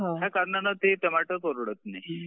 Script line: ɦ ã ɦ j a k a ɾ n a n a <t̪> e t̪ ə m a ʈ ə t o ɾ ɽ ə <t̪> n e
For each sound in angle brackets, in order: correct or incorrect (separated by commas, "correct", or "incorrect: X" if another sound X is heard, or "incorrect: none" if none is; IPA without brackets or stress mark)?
correct, correct